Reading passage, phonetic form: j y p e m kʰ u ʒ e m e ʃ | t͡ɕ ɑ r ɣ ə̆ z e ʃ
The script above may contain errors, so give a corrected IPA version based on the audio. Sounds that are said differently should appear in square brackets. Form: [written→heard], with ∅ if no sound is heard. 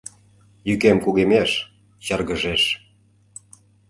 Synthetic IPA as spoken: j y [p→k] e m [kʰ→k] u [ʒ→ɣ] e m e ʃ | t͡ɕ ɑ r ɣ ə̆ [z→ʒ] e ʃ